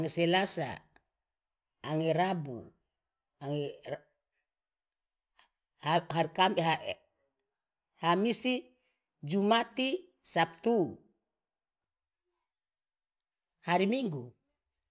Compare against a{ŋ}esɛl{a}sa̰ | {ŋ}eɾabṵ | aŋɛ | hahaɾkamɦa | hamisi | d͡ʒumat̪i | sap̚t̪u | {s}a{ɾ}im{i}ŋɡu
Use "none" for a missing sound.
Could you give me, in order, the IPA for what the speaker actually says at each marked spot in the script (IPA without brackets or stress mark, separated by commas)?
ŋ, a, ŋ, h, ɾ, i